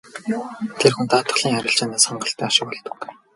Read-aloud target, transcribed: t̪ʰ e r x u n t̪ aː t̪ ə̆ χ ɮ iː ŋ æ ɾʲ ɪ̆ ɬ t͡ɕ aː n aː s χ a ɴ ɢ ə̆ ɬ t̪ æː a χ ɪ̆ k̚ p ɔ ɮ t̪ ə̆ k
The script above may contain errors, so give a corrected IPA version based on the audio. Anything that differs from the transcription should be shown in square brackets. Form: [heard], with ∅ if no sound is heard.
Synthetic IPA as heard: t̪ʰ e r x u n t̪ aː t̪ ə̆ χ ɮ iː ŋ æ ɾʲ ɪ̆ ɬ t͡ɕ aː n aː s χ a ɴ ɢ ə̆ ɬ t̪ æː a [ʃ] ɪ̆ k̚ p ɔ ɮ t̪ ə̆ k